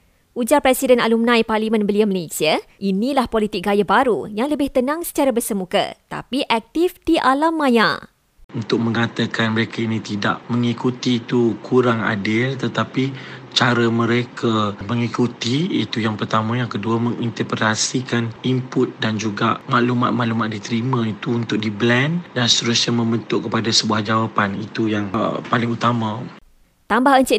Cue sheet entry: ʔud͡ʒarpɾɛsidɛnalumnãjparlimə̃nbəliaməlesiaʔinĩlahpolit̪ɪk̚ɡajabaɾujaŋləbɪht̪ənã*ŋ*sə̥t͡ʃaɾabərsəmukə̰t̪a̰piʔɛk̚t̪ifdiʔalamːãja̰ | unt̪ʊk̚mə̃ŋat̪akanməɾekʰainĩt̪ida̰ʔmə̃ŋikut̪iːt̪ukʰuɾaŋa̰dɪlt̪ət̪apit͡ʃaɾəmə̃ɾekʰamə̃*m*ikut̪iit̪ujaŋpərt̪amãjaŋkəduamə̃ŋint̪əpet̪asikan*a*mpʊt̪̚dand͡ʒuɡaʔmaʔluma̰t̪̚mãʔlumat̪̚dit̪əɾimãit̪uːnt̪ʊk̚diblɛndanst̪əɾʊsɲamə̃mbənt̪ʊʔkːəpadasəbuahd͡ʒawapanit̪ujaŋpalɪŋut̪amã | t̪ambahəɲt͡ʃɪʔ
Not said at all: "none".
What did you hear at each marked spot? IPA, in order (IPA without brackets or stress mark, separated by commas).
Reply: ŋ, ŋ, i